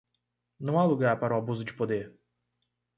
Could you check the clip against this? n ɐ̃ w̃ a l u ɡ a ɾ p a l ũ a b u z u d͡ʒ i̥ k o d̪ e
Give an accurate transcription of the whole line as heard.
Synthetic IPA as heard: n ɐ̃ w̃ a l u ɡ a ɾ p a ɾ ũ a b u z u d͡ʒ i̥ p o d̪ e